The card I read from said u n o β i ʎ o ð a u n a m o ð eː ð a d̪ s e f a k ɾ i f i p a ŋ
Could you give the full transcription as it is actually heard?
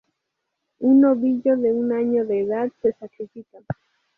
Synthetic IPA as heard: u n o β i ʎ o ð e u n a ɲ o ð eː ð a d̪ s e s a k ɾ i f i k a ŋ